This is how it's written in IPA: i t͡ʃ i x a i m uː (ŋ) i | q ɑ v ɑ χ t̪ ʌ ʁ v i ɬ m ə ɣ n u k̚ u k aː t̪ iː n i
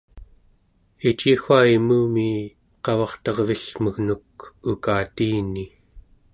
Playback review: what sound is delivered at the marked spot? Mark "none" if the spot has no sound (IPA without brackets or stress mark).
m